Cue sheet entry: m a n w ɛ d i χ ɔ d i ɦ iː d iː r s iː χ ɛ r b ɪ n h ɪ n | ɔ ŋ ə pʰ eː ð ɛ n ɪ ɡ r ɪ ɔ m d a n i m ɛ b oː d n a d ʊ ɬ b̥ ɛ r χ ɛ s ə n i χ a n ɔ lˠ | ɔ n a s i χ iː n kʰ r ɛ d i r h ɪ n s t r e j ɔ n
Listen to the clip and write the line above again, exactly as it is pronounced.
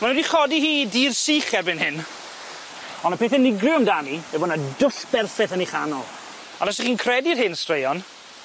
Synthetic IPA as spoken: m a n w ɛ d i χ ɔ d i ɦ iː d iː r s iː χ ɛ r b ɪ n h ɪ n | ɔ n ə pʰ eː θ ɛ n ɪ ɡ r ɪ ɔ m d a n i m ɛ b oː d n a d ʊ ɬ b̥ ɛ r f ɛ θ ə n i χ a n ɔ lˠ | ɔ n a s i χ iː n kʰ r ɛ d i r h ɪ n s t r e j ɔ n